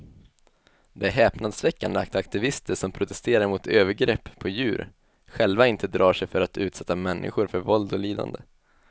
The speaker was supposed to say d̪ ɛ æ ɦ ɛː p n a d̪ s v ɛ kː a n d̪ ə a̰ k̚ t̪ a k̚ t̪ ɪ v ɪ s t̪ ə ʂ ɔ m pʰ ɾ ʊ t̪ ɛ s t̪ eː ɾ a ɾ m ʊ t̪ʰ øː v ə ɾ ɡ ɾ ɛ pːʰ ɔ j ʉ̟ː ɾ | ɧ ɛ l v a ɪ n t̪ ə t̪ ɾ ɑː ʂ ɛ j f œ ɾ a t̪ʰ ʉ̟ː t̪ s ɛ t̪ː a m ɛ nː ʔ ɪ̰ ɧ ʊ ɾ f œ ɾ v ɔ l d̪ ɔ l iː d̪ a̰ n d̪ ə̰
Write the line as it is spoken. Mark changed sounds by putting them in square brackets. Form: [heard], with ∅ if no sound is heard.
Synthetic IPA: d̪ ɛ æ ɦ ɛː p n a d̪ s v ɛ kː a n d̪ ə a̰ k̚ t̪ a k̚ t̪ ɪ v ɪ s t̪ ə ʂ ɔ m pʰ ɾ ʊ t̪ ɛ s t̪ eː ɾ a ɾ m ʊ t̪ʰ øː v ə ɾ ɡ ɾ ɛ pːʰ ɔ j ʉ̟ː ɾ | ɧ ɛ l v a ɪ n t̪ ə [d̪] ɾ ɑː ʂ ɛ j f œ ɾ a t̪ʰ ʉ̟ː t̪ s ɛ t̪ː a m ɛ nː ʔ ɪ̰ ɧ ʊ ɾ f œ ɾ v ɔ l d̪ ɔ l iː d̪ a̰ n d̪ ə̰